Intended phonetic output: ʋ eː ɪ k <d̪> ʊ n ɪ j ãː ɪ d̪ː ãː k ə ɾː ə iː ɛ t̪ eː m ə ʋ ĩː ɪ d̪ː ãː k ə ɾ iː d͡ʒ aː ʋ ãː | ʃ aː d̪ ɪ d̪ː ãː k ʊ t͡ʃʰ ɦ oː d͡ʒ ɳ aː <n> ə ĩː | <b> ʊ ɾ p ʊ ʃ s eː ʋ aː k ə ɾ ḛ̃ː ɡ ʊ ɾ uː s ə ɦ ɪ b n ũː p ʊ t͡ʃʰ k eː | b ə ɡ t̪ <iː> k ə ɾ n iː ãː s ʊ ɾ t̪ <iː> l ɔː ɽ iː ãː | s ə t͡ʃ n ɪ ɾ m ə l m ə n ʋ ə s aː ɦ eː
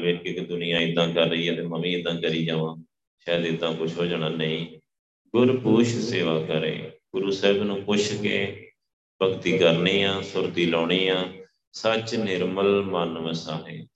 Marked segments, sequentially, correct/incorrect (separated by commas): correct, correct, incorrect, correct, correct